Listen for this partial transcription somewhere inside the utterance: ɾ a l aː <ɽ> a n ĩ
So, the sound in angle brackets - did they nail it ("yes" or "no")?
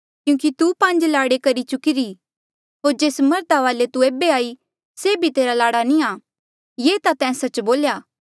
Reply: yes